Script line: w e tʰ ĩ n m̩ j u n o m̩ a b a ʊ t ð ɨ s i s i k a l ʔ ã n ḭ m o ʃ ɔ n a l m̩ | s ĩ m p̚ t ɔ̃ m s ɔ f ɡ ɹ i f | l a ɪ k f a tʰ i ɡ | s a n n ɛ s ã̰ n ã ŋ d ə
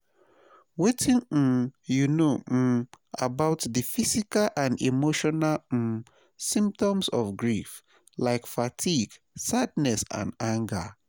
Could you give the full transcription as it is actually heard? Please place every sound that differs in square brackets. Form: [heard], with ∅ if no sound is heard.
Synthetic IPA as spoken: w e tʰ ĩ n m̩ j u n o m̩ a b a ʊ t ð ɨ [f] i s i k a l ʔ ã n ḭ m o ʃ ɔ n a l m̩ | s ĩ m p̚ t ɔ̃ m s ɔ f ɡ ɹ i f | l a ɪ k f a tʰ i ɡ | s a [d] n ɛ s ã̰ n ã ŋ [ɡ] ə